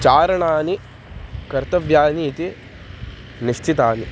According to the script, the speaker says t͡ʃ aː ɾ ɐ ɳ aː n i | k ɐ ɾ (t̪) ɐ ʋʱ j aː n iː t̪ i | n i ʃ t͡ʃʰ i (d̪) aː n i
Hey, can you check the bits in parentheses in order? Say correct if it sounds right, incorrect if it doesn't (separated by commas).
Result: correct, incorrect